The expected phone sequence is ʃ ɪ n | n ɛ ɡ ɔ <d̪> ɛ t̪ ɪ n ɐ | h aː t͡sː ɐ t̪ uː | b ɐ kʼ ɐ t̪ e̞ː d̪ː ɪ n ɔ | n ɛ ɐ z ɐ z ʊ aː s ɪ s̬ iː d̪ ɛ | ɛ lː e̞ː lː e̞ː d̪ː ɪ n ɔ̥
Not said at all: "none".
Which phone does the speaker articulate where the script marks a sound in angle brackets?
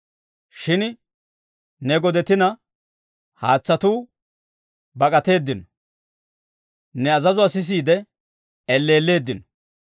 d̪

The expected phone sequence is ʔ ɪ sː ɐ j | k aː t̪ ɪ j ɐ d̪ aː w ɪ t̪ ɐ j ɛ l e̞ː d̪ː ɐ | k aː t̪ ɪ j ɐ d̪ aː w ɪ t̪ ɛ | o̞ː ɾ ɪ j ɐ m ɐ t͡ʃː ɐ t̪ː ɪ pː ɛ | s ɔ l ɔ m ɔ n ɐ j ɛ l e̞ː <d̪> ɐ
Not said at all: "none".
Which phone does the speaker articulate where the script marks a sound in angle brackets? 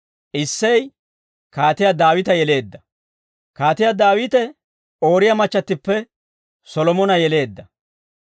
d̪ː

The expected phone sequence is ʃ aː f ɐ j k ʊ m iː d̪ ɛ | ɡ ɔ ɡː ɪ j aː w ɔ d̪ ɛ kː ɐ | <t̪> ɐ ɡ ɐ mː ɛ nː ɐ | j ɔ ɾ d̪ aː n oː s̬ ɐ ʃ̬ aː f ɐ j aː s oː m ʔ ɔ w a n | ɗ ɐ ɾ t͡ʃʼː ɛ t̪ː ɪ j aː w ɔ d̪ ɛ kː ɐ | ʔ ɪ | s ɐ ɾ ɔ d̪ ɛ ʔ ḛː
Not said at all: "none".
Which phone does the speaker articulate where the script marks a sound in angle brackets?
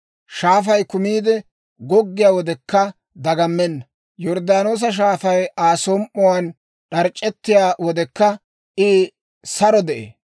d̪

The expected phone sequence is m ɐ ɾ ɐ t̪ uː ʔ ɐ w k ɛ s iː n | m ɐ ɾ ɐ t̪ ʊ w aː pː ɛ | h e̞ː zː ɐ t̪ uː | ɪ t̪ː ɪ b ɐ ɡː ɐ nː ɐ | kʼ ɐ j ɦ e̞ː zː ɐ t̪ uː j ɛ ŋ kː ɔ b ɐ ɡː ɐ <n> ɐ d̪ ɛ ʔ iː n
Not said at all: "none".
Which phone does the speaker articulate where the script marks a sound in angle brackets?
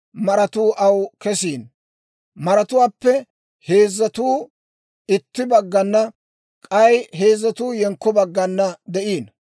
nː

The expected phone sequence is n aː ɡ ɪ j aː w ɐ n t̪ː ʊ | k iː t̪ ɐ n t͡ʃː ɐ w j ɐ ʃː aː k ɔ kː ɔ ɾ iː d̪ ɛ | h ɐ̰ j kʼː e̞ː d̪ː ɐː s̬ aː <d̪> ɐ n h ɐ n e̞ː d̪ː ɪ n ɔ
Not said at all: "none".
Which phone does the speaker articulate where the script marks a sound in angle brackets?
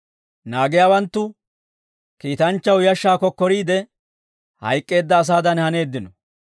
d̪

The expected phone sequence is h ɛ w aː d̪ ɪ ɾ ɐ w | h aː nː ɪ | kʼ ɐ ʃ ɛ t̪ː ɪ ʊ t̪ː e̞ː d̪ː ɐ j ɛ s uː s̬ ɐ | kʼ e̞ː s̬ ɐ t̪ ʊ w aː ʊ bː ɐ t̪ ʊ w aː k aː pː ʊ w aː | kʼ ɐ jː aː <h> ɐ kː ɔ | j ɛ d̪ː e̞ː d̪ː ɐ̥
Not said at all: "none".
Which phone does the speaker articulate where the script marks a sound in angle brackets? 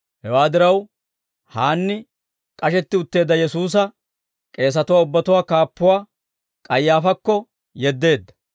f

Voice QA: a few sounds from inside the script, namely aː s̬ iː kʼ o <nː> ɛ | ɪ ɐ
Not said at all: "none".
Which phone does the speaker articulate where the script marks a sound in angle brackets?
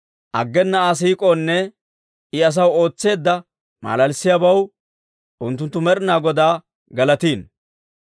nː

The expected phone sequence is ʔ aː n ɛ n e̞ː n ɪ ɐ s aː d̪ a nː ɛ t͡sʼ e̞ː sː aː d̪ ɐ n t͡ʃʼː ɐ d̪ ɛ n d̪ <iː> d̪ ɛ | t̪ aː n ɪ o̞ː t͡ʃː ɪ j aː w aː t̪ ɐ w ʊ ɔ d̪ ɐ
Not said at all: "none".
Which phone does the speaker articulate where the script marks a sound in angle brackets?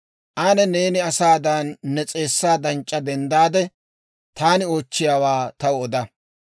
aː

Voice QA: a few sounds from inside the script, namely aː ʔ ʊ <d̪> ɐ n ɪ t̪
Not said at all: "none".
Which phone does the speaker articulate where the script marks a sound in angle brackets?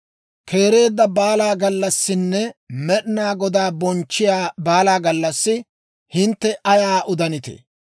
d̪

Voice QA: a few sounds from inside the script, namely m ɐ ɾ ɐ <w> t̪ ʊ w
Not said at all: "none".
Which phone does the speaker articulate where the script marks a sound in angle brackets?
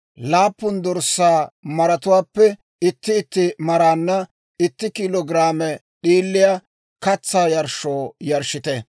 none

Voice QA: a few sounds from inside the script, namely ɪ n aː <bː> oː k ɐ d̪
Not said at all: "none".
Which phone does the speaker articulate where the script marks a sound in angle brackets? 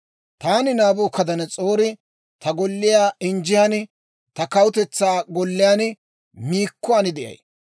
b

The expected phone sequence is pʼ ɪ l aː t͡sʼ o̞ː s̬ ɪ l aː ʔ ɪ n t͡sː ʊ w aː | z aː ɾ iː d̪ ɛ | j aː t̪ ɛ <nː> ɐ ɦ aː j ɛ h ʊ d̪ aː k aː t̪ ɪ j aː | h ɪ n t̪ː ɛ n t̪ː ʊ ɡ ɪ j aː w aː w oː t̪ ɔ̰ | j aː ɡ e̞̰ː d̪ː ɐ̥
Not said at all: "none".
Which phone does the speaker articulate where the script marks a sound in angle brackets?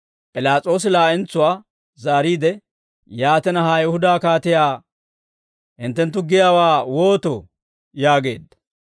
n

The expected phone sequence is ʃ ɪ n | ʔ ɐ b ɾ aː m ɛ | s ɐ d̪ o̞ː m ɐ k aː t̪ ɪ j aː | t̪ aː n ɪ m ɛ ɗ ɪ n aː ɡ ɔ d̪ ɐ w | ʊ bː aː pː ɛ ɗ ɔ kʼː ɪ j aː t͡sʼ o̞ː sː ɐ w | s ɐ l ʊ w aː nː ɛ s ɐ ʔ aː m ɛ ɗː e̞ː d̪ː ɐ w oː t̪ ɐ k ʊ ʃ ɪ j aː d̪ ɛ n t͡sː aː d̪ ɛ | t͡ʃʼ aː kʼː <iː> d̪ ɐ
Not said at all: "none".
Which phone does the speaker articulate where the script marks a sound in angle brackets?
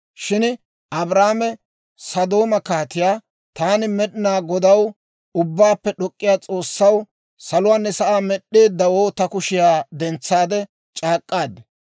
aː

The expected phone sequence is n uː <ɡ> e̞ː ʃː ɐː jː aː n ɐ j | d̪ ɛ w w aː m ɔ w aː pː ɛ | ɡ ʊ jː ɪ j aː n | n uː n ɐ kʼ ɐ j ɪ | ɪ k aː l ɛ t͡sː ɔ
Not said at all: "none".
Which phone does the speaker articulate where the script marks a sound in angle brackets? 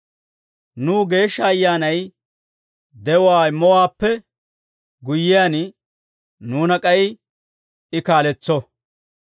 ɡ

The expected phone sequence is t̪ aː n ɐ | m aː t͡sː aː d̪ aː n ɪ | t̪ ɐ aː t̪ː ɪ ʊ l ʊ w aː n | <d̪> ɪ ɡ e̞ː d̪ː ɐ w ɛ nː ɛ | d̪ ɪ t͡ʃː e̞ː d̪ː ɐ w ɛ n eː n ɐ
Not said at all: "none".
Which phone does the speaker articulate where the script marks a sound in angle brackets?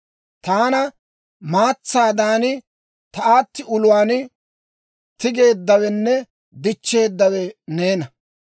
t̪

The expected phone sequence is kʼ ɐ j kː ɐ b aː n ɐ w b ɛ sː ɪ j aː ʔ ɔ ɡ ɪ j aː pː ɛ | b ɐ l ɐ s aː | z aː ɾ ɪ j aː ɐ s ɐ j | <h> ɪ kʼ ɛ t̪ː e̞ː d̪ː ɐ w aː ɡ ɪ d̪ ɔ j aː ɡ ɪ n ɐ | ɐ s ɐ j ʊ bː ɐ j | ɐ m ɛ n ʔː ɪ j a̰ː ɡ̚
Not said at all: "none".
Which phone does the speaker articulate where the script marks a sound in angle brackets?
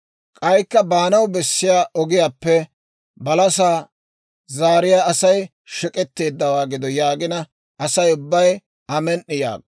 ʃ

